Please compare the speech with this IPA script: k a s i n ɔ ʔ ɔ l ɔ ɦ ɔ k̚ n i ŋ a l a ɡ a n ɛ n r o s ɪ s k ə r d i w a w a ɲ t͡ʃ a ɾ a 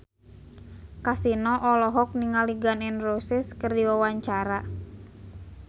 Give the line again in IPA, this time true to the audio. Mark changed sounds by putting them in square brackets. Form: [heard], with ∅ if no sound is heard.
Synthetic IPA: k a s i n ɔ ʔ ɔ l ɔ ɦ ɔ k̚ n i ŋ a l [i] ɡ a n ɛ n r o s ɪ s k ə r d i w a w a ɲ t͡ʃ a ɾ a